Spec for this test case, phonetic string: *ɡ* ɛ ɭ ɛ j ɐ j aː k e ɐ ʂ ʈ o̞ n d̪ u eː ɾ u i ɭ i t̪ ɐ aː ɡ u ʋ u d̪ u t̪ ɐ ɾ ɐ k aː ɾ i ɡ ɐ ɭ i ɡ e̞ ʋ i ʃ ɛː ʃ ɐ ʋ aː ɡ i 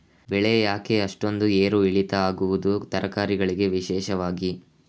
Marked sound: incorrect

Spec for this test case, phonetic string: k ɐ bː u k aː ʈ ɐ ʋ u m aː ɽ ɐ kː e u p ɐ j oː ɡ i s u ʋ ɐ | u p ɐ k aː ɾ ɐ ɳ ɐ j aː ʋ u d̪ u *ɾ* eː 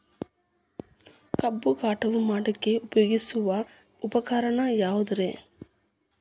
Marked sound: correct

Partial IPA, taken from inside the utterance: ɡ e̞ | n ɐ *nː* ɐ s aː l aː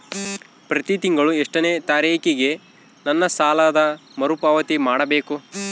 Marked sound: correct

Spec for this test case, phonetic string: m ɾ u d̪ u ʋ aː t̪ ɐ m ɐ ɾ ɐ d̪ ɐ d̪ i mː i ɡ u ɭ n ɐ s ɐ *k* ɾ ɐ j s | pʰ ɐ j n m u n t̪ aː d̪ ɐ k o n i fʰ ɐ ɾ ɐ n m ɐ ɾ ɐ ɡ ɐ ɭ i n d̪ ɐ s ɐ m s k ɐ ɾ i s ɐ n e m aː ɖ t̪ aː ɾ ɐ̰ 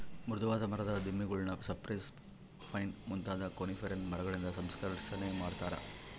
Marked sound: incorrect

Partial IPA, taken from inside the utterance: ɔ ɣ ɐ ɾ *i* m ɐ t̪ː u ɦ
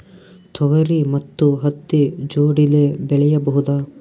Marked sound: correct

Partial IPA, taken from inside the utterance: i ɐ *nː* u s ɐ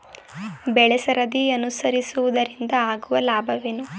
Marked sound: incorrect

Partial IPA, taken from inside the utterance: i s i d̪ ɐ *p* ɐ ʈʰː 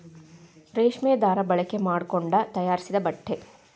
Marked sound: incorrect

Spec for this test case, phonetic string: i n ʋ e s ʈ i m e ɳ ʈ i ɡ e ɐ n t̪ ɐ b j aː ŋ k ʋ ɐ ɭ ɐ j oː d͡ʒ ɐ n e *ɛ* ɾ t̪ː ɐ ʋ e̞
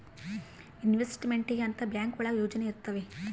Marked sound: incorrect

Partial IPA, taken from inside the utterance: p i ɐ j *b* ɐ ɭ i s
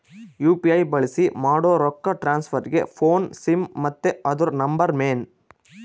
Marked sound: correct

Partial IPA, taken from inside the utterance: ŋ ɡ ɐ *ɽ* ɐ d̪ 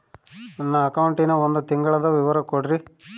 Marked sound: incorrect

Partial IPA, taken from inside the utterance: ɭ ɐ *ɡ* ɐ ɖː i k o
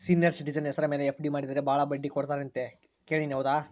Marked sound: incorrect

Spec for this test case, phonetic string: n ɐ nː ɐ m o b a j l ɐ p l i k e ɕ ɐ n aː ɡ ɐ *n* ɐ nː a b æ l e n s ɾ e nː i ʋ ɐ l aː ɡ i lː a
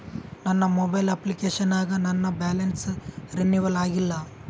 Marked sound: correct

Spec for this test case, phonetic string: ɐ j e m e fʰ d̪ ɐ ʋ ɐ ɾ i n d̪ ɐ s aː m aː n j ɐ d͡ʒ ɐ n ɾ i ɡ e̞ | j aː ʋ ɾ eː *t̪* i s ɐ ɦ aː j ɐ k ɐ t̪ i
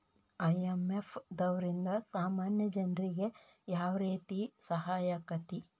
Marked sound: correct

